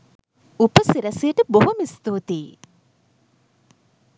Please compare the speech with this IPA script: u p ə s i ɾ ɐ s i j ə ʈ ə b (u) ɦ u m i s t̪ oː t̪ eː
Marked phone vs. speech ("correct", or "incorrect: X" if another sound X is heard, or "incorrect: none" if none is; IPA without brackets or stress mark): incorrect: o